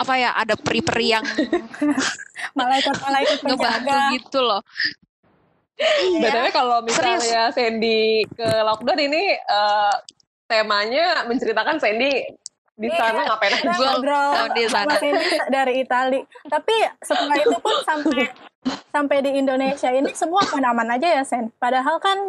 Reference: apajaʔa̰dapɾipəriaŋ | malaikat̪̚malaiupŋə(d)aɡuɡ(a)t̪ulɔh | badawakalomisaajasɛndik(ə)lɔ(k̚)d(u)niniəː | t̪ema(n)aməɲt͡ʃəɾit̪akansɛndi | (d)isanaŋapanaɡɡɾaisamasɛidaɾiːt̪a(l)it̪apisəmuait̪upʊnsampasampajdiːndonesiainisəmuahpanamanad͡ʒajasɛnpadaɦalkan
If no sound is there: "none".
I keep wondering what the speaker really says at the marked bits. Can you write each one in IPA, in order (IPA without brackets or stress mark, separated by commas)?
b, i, ə, k̚, ɔ, ɲ, d, l